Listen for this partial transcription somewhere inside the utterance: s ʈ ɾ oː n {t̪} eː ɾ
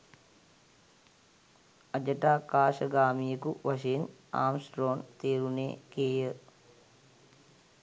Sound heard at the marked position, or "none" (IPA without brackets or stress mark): t̪